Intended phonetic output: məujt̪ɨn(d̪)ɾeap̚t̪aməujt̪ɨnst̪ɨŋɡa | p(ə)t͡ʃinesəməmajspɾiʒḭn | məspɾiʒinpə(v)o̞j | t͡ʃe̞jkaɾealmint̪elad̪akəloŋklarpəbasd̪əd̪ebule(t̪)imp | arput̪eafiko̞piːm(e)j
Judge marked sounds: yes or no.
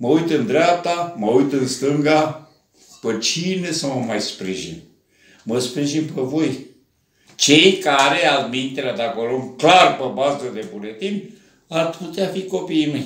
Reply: yes, yes, yes, yes, yes

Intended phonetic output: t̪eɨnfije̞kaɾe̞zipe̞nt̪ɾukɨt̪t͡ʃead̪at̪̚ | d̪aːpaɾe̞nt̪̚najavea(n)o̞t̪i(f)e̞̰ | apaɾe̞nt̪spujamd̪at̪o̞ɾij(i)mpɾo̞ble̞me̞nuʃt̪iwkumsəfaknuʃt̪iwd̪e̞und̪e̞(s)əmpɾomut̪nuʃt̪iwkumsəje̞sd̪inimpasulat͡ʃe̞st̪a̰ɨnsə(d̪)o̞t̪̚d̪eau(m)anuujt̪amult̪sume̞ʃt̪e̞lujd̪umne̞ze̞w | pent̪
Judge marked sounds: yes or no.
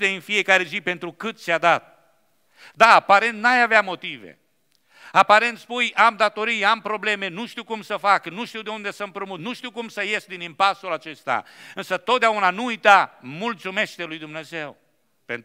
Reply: no, no, no, yes, no, no

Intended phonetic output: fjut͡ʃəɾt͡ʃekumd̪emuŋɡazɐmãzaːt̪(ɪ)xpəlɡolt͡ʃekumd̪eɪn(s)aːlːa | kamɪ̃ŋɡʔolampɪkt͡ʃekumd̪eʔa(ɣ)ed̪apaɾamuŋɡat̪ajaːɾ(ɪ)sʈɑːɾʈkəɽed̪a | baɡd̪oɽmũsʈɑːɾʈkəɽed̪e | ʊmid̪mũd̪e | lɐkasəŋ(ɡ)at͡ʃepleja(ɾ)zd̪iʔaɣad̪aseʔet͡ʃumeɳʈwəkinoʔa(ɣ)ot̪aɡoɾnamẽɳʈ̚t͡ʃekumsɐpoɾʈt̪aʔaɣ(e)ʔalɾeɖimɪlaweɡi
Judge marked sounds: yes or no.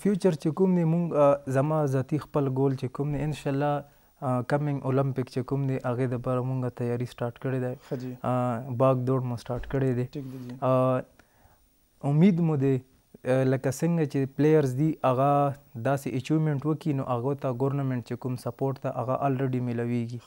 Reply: no, no, yes, no, yes, yes, yes, no

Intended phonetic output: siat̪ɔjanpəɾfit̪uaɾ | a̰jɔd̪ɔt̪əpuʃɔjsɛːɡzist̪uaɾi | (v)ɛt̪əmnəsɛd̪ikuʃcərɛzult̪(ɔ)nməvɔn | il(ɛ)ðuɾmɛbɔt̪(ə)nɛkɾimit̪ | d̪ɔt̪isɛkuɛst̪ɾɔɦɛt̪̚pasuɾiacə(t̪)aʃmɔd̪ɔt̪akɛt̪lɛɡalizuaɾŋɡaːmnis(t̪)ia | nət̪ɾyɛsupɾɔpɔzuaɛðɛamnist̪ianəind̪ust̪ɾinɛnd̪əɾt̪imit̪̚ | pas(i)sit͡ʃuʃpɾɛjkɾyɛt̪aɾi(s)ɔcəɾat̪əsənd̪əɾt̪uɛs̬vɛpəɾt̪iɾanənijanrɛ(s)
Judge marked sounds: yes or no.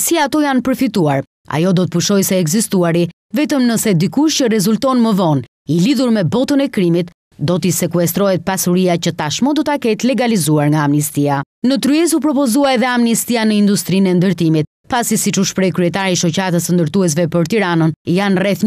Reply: yes, yes, no, yes, yes, yes, yes, no, no

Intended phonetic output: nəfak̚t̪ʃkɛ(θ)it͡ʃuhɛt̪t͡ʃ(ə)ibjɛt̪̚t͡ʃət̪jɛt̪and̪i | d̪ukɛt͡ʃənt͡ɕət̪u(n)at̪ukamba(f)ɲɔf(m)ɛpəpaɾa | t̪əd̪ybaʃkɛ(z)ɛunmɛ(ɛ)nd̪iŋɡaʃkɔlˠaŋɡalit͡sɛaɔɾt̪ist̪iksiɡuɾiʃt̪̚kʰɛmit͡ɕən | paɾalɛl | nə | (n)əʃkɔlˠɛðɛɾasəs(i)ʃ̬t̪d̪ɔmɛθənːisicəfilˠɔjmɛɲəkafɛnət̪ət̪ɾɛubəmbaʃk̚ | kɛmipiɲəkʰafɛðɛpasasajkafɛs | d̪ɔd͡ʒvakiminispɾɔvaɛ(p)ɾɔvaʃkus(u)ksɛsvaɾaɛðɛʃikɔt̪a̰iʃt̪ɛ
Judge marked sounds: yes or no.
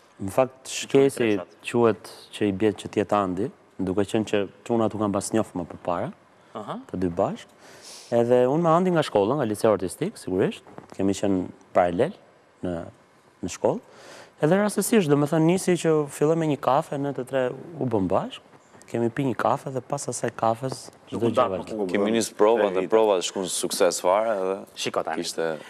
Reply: no, yes, yes, no, yes, no, no, yes, yes, yes, yes

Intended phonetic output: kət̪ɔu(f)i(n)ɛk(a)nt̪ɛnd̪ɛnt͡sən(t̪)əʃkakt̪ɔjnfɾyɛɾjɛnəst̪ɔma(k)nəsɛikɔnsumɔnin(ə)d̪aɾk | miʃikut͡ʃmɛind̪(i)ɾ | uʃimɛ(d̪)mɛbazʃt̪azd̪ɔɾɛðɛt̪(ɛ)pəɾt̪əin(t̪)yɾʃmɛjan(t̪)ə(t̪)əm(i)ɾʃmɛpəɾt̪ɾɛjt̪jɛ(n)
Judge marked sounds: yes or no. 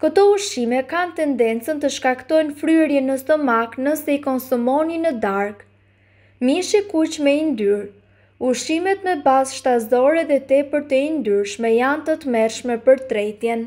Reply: no, no, yes, yes, yes, yes, no, no, yes, no, yes, yes, no, yes

